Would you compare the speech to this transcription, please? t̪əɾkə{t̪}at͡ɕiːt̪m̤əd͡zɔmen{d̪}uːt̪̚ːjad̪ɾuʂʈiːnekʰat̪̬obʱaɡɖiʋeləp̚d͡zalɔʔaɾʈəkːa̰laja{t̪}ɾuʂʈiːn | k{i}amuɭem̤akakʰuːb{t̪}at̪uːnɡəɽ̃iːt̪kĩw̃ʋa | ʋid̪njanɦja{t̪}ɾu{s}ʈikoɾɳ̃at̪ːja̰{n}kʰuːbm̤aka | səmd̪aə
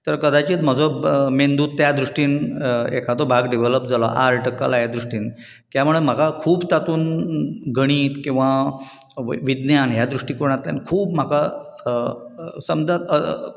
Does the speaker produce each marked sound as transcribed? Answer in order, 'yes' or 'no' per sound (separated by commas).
no, yes, no, no, yes, no, no, yes